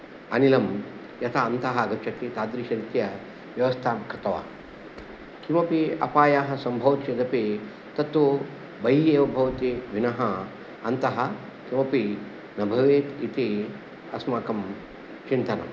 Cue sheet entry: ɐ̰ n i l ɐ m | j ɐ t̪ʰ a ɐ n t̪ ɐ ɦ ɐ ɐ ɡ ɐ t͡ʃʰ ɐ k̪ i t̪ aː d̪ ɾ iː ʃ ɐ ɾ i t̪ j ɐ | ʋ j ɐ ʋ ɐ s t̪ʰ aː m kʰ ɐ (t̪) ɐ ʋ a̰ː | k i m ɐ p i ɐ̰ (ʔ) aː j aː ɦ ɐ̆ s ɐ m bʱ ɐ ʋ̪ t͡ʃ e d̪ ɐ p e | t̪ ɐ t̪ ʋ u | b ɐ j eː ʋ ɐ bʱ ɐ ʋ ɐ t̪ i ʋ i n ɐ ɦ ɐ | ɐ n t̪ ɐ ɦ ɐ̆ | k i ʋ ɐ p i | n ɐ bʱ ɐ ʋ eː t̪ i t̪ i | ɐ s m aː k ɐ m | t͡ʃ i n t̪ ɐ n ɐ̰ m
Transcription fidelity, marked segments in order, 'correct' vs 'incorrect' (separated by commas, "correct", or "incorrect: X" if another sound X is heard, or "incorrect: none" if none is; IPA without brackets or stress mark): correct, incorrect: p